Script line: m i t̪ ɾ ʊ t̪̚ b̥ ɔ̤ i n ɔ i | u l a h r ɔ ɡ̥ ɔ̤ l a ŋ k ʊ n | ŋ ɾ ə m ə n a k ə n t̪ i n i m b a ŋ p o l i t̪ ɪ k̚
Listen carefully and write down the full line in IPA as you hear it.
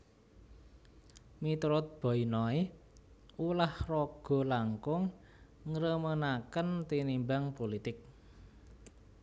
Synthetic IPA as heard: m i t̪ ɾ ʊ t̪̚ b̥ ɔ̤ i n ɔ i | u l a h r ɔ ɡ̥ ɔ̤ l a ŋ k ʊ ŋ | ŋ ɾ ə m ə n a k ə n t̪ i n i m b a ŋ p o l i t̪ ɪ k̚